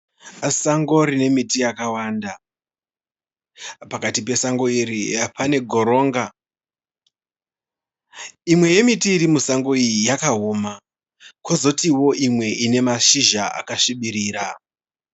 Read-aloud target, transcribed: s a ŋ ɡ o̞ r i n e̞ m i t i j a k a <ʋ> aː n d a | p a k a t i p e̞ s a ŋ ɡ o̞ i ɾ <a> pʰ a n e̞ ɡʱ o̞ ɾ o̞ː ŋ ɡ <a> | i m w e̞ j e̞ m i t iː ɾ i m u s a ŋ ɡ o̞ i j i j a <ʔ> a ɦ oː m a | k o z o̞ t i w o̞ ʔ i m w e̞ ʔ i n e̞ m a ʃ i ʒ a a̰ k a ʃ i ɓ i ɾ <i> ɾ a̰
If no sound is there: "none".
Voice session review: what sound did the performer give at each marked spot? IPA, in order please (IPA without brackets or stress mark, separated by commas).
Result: w, i, a, k, iː